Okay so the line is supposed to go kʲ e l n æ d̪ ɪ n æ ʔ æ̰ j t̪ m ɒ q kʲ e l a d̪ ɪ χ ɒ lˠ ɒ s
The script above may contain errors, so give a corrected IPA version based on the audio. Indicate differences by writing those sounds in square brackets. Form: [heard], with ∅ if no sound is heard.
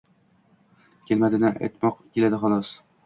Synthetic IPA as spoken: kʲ e l [m] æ d̪ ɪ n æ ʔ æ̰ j t̪ m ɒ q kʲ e l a d̪ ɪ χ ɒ lˠ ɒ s